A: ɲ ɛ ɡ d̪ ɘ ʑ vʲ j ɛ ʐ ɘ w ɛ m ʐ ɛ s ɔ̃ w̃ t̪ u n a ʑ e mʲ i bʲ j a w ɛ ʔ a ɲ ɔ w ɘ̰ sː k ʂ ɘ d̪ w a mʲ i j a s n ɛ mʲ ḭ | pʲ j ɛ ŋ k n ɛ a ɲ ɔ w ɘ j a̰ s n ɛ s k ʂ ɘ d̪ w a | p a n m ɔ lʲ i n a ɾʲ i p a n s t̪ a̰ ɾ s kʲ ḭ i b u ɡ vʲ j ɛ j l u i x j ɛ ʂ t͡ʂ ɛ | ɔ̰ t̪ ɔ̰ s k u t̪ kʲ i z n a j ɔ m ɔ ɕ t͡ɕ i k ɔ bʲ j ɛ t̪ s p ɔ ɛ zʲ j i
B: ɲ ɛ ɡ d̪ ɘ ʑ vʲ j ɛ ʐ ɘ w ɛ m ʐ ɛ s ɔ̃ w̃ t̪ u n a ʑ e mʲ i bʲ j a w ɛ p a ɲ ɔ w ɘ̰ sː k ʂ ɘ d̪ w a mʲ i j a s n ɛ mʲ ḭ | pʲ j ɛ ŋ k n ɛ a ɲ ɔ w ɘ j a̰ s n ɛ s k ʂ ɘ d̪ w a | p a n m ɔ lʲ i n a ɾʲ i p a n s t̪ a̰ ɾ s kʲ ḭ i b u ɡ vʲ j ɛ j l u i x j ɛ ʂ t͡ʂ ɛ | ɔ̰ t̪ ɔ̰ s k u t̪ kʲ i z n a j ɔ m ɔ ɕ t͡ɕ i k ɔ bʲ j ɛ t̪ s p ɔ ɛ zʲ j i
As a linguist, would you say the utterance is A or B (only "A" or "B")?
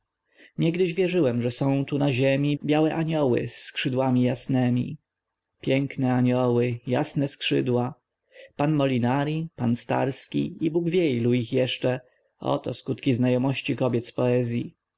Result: A